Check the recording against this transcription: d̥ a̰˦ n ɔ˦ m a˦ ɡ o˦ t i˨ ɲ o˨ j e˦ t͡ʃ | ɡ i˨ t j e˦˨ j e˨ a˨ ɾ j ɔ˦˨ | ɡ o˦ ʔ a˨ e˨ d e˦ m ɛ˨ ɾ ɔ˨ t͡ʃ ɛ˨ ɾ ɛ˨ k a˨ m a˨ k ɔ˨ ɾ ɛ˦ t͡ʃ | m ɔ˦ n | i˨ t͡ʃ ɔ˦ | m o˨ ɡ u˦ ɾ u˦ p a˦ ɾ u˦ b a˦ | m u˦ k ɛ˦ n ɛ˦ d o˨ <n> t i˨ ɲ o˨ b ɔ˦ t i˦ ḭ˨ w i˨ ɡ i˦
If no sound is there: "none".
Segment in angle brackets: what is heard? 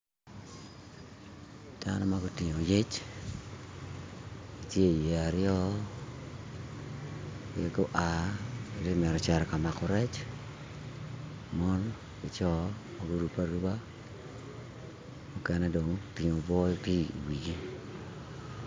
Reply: ŋ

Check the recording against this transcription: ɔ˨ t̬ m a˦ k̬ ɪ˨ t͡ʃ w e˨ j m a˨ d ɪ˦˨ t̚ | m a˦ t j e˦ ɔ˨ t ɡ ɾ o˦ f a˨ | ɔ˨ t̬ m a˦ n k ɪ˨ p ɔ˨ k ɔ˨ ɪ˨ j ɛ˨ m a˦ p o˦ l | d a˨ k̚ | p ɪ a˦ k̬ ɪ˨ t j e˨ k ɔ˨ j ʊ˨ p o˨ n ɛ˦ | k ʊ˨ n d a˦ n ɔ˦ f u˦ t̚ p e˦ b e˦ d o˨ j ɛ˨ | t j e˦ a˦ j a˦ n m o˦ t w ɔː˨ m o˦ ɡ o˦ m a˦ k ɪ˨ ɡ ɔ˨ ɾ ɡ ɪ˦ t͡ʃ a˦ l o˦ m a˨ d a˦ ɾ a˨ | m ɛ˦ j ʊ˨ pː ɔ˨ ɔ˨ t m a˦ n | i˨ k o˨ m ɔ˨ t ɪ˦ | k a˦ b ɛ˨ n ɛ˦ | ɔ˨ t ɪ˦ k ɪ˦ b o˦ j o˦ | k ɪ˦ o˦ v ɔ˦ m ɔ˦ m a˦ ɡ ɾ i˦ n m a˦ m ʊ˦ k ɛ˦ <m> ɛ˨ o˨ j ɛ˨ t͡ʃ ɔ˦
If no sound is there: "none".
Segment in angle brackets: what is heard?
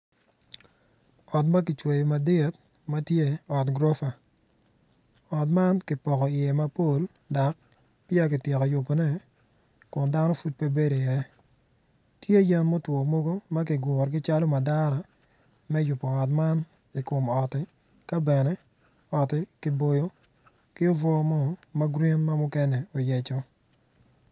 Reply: n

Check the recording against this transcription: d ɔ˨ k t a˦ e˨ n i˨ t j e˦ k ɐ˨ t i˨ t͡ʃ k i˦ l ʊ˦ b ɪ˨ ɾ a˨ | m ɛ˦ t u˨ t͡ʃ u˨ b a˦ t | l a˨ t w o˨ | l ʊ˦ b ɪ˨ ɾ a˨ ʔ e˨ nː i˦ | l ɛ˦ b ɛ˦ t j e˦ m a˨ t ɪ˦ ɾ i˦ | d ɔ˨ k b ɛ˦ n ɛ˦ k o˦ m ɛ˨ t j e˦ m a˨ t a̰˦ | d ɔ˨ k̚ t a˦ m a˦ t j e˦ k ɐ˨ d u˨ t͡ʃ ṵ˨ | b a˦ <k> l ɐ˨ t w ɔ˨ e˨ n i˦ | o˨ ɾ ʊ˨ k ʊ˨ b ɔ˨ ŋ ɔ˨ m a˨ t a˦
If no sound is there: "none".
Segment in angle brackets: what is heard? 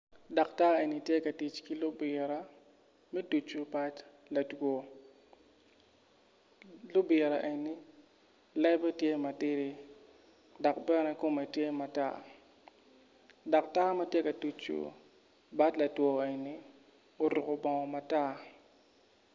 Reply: t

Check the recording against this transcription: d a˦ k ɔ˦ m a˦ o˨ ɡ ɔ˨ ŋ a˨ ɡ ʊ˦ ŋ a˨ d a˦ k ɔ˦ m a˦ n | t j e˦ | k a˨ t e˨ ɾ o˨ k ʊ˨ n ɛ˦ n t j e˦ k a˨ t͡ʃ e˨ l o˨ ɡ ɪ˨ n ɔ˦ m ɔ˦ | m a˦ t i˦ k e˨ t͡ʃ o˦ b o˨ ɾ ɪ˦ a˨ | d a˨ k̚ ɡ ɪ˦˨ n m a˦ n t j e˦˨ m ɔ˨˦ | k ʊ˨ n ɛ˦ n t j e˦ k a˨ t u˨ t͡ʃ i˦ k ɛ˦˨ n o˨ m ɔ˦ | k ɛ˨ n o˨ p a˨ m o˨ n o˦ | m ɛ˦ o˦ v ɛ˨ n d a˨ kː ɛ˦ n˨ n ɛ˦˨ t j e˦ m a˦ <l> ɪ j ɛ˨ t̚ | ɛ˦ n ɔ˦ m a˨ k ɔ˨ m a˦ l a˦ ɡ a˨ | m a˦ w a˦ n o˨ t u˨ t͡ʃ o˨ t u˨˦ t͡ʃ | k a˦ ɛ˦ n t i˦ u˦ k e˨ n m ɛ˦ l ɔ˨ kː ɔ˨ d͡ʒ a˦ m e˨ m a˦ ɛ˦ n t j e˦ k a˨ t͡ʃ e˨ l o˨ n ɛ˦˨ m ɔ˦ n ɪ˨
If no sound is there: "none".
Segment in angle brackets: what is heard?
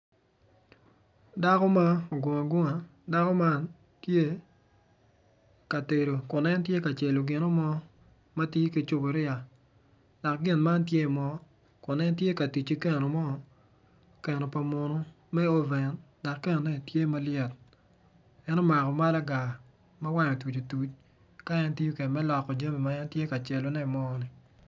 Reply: l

